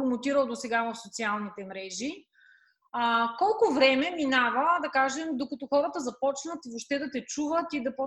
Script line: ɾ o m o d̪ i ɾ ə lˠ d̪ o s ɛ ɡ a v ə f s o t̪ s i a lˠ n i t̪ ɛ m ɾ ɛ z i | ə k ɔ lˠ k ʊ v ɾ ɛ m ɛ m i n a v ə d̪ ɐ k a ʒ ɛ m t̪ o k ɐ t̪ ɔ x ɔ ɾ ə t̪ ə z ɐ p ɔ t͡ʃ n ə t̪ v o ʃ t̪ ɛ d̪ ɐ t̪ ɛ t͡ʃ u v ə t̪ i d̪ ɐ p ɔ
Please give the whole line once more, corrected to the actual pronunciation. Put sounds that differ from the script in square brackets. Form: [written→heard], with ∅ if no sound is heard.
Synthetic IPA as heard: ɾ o m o [d̪→t̪] i ɾ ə lˠ d̪ o s ɛ ɡ a v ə f s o t̪ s i a lˠ n i t̪ ɛ m ɾ ɛ [z→ʒ] i | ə k ɔ lˠ k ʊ v ɾ ɛ m ɛ m i n a v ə d̪ ɐ k a ʒ ɛ m [t̪→d̪] o k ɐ t̪ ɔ x ɔ ɾ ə t̪ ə z ɐ p ɔ t͡ʃ n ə t̪ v o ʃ t̪ ɛ d̪ ɐ t̪ ɛ t͡ʃ u v ə t̪ i d̪ ɐ p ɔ